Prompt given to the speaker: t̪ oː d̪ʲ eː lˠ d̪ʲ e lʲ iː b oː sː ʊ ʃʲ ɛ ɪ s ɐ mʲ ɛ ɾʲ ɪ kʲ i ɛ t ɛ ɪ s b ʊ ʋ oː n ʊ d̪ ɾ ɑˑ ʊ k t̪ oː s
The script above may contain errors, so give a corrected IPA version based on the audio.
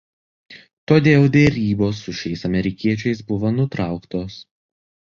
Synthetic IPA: t̪ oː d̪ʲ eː lˠ d̪ʲ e ɾʲ iː b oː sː ʊ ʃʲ ɛ ɪ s ɐ mʲ ɛ ɾʲ ɪ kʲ i ɛ t͡ʃʲ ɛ ɪ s b ʊ ʋ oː n ʊ t̪ ɾ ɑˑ ʊ k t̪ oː s